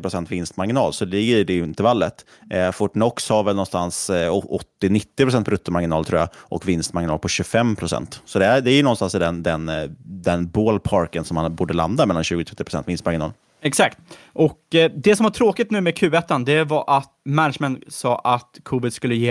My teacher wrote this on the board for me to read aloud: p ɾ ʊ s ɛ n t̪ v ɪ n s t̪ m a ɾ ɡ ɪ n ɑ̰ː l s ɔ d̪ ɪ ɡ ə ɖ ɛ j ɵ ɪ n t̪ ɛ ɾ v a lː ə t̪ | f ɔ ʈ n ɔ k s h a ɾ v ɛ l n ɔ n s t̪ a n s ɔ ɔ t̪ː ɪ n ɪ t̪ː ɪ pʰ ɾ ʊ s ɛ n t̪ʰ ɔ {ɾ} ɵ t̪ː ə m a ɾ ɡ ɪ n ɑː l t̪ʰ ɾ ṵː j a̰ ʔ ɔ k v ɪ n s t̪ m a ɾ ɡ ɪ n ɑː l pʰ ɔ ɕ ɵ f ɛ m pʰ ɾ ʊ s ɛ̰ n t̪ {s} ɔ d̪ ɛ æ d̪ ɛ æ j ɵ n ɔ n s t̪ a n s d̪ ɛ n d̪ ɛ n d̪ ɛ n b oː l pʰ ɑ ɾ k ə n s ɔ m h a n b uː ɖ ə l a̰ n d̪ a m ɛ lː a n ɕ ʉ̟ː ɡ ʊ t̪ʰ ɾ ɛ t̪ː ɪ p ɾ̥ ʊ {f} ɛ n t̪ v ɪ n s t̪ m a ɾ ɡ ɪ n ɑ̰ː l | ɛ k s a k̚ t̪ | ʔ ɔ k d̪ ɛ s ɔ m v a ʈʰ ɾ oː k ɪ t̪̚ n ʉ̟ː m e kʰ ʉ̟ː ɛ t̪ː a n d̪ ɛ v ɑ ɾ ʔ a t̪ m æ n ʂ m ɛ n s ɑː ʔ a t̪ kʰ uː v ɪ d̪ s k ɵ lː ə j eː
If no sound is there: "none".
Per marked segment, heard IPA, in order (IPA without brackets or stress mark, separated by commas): ɾ, s, s